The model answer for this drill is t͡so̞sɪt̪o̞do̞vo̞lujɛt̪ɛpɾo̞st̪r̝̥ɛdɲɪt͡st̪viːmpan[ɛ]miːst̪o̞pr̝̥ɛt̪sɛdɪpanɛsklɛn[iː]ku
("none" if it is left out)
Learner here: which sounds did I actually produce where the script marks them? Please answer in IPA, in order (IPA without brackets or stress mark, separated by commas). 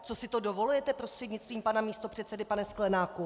a, aː